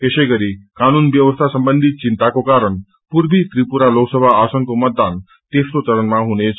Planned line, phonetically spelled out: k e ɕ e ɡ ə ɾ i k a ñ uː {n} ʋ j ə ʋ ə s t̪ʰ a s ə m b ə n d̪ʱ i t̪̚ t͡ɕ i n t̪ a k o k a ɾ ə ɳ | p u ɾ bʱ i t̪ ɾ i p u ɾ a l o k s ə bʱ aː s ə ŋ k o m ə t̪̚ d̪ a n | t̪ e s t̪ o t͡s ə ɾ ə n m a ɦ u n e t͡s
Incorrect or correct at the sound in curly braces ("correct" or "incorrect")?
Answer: correct